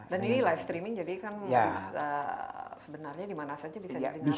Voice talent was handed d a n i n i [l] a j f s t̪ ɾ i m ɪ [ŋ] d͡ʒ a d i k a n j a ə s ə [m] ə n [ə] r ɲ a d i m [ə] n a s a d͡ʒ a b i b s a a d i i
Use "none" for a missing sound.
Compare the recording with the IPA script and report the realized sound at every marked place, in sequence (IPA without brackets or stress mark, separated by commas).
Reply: l, ŋ, b, a, a